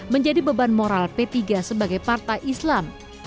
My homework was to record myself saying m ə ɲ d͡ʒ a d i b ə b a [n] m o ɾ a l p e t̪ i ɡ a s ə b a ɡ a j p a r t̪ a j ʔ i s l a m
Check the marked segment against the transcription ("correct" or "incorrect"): correct